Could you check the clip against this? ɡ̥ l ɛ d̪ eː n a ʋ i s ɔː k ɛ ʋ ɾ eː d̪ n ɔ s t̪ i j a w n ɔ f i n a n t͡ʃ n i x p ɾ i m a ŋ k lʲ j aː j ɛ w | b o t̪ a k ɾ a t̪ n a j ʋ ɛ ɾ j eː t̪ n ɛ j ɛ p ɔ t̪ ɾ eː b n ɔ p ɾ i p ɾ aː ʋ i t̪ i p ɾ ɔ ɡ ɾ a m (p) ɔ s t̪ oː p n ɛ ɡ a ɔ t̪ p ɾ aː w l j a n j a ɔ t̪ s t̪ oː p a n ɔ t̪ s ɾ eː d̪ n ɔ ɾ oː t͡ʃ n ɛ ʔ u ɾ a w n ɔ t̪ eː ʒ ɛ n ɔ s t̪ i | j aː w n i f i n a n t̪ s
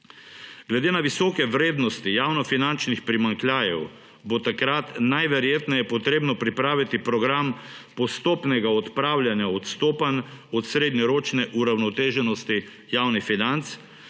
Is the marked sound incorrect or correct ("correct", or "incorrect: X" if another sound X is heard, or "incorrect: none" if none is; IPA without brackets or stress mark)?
correct